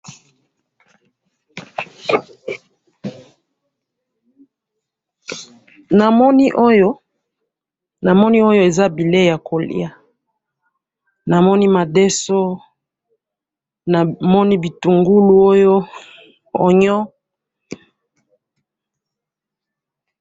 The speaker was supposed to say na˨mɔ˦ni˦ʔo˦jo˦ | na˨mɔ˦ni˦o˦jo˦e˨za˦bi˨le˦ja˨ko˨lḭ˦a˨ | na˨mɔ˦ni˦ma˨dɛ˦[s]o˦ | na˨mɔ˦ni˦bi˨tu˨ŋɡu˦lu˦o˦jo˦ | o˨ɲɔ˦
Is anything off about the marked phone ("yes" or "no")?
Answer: no